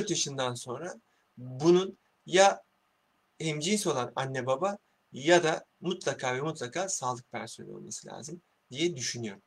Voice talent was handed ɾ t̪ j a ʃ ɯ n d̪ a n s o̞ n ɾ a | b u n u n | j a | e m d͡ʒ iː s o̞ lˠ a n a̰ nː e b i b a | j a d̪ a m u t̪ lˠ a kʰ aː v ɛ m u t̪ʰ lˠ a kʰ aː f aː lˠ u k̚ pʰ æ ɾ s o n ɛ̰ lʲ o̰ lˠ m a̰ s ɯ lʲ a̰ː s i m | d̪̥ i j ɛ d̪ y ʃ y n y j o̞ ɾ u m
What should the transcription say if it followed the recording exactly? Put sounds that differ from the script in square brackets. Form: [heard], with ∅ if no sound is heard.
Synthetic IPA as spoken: ɾ t̪ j a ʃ ɯ n d̪ a n s o̞ n ɾ a | b u n u n | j a | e m d͡ʒ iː s o̞ lˠ a n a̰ nː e b [a] b a | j a d̪ a m u t̪ lˠ a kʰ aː v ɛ m u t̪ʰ lˠ a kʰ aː [s] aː lˠ [ɯ] k̚ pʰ æ ɾ s o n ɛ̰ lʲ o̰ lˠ m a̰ s ɯ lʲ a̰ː [z] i m | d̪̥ i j ɛ d̪ y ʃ y n y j o̞ ɾ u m